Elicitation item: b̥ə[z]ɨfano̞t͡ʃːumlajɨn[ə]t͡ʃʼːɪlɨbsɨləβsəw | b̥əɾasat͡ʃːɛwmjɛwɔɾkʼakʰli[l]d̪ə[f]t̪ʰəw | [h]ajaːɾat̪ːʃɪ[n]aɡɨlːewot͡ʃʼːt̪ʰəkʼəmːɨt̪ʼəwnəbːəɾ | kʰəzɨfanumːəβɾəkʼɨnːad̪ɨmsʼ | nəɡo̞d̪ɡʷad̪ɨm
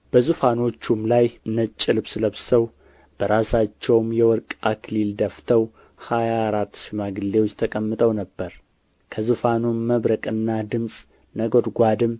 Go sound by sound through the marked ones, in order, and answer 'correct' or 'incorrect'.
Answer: correct, correct, correct, correct, correct, incorrect

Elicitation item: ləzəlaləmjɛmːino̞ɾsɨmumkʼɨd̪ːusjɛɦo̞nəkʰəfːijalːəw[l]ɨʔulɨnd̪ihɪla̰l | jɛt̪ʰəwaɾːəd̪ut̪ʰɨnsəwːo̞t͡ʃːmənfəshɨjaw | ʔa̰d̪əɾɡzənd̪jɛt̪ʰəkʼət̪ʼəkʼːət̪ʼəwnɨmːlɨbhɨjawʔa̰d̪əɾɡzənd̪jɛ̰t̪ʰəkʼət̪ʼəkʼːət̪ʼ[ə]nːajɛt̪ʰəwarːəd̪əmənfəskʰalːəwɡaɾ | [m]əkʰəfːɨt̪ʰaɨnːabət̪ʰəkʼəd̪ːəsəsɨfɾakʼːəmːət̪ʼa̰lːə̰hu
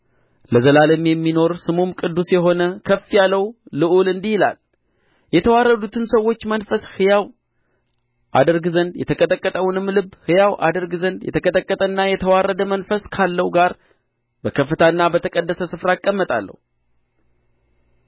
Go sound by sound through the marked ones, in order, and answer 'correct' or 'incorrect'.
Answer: correct, correct, incorrect

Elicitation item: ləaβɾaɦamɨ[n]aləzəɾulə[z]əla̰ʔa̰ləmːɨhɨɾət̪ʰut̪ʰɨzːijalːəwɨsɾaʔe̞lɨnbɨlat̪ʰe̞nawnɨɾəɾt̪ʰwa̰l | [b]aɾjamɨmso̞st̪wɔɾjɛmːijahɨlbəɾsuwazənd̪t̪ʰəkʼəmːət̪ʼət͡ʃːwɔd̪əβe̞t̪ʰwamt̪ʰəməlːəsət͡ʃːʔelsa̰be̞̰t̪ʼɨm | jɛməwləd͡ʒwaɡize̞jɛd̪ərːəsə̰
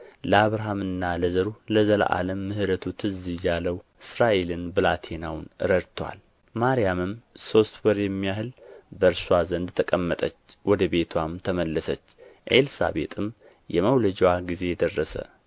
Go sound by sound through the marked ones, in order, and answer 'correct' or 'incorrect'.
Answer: incorrect, correct, incorrect

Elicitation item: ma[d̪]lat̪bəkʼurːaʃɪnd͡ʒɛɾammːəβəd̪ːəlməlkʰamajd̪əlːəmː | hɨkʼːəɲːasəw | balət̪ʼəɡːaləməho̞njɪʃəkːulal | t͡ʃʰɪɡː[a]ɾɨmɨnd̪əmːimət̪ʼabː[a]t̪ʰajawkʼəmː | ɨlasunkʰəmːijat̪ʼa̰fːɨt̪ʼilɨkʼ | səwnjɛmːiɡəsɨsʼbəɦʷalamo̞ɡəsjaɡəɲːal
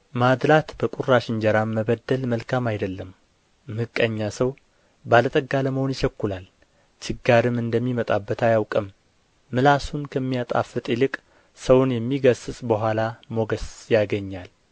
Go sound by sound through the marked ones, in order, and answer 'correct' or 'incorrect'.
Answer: correct, correct, incorrect

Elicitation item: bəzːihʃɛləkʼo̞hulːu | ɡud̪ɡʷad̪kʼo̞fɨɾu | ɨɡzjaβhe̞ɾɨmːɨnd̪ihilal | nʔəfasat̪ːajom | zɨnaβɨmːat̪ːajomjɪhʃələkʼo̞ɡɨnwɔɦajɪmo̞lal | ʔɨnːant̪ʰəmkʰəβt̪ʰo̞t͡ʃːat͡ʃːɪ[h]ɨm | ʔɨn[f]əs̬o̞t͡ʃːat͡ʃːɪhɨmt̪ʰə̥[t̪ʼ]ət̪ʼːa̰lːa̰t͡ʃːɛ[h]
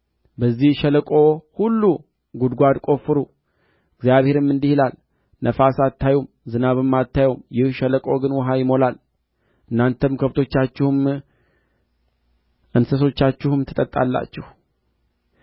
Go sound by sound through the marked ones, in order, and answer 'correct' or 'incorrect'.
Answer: correct, incorrect, correct, correct

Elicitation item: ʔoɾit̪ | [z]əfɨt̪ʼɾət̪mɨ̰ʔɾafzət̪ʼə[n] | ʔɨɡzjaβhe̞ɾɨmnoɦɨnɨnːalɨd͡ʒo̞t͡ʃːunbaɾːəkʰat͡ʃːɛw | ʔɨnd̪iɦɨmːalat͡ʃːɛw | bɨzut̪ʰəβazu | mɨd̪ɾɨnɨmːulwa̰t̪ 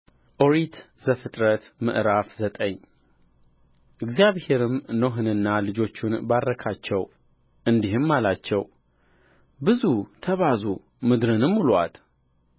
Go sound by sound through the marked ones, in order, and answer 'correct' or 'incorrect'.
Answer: correct, incorrect

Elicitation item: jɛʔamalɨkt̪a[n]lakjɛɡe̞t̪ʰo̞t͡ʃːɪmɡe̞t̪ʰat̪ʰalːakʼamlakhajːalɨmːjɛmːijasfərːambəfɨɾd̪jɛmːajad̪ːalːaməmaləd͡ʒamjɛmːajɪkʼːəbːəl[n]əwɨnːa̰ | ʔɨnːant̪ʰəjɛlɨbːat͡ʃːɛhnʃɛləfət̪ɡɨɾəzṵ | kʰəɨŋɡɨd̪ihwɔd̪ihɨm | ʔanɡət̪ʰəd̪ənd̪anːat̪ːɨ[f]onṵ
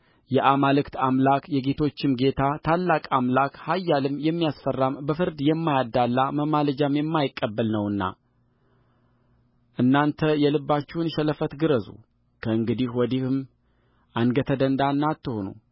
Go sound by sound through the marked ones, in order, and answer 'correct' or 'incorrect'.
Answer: incorrect, correct, incorrect

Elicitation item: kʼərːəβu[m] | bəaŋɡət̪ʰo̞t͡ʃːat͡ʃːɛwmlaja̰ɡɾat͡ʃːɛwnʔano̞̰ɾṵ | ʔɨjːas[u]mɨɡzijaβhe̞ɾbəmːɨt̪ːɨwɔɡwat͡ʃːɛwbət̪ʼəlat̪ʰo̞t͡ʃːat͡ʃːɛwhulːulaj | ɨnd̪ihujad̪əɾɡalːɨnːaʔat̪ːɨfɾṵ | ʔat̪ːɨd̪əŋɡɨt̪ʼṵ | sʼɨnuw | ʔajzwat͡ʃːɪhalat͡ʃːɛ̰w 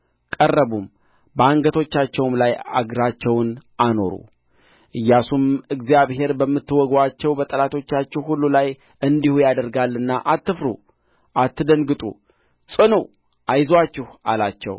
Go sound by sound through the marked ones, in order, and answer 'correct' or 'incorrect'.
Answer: correct, correct

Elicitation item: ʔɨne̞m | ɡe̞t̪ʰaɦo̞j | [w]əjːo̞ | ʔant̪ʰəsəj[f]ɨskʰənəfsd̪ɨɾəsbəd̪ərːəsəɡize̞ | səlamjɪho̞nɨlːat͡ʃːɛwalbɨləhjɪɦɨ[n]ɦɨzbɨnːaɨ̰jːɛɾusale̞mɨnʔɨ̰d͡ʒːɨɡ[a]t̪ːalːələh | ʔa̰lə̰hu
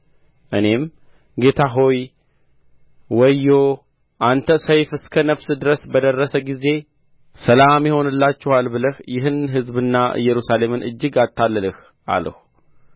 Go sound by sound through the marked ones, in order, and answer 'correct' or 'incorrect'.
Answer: correct, correct, correct, correct

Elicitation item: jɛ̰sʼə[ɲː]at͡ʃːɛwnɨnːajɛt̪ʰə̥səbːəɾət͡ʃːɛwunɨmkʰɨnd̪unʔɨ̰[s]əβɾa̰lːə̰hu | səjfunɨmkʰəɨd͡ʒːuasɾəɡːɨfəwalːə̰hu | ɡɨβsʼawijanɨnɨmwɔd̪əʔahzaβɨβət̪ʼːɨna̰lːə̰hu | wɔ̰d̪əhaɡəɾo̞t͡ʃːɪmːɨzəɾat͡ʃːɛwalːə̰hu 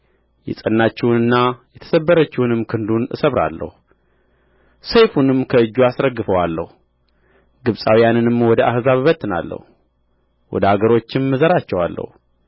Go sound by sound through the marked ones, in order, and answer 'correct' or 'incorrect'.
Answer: incorrect, correct

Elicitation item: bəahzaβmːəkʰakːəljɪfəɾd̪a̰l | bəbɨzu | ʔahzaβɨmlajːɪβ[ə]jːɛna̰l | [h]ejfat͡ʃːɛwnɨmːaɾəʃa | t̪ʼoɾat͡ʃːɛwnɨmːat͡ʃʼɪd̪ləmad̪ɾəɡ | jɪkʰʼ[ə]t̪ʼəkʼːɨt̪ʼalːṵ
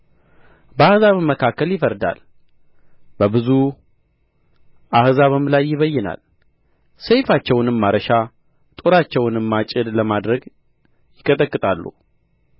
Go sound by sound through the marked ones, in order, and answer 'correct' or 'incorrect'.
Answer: correct, incorrect, correct

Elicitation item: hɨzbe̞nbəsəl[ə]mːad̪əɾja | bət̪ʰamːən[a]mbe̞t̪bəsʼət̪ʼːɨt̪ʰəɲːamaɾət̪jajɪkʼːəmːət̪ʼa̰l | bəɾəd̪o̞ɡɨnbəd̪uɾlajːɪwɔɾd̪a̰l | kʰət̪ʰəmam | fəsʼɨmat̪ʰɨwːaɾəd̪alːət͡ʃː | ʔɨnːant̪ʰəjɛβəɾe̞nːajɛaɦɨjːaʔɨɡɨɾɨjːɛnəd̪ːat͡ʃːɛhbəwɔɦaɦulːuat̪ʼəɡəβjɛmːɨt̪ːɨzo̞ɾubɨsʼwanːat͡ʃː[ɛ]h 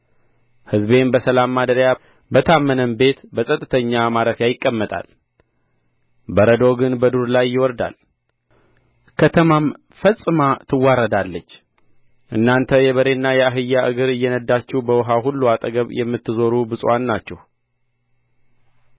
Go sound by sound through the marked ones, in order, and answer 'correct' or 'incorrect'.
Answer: incorrect, incorrect, correct

